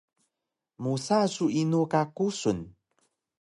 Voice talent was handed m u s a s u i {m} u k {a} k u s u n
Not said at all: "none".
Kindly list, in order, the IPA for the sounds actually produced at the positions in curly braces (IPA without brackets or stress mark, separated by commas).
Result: n, a